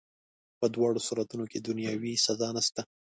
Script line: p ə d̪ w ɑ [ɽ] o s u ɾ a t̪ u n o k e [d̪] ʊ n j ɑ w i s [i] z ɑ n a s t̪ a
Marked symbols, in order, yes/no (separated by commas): yes, yes, no